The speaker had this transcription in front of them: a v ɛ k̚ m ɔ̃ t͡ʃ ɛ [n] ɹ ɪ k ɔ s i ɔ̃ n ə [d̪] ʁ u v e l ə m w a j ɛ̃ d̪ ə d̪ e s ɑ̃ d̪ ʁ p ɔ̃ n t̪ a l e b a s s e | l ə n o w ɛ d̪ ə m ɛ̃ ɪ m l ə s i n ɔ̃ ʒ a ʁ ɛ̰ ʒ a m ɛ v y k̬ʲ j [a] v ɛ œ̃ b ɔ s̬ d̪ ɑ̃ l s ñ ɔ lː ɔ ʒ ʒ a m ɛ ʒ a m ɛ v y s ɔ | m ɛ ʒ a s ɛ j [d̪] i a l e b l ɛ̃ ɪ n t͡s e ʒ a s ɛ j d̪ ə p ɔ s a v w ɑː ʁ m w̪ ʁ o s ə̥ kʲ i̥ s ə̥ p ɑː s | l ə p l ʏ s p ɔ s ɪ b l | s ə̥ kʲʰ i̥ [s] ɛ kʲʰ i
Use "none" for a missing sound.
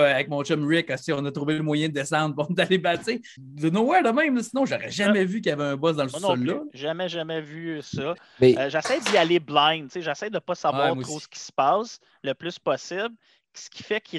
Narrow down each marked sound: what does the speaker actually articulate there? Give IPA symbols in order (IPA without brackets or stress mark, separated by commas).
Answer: m, t̪, a, d̪, f